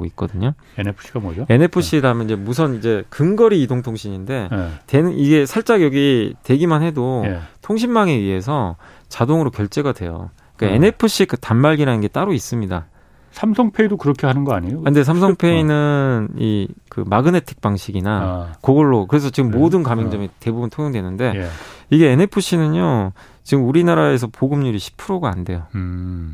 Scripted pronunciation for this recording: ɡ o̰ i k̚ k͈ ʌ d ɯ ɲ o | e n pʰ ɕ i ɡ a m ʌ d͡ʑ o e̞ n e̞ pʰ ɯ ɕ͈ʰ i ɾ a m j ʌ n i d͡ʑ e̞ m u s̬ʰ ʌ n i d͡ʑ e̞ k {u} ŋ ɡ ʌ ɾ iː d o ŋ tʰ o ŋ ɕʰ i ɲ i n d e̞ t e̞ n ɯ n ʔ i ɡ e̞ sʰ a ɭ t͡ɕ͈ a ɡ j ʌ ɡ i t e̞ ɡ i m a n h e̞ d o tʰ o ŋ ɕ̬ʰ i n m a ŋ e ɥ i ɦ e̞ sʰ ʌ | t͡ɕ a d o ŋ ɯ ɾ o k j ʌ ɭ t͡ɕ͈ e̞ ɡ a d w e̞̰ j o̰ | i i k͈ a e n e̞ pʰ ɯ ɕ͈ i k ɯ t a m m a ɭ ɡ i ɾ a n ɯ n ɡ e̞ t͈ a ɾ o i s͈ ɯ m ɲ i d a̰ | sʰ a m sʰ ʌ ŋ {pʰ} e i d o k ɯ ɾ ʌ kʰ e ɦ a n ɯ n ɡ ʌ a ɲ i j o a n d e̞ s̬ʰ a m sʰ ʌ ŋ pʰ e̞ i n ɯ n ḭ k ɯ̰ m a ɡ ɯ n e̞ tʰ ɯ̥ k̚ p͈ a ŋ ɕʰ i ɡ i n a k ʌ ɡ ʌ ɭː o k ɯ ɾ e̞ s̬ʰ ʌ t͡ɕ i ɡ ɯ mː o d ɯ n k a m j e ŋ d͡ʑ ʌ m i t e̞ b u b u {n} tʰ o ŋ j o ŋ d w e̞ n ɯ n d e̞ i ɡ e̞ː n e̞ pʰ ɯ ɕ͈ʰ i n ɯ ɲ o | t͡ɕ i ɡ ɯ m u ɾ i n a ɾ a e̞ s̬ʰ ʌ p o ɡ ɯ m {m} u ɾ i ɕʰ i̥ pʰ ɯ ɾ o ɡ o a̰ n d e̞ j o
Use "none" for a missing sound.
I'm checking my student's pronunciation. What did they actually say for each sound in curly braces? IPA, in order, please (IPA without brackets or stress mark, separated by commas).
ɯ, pʰ, n, ɲ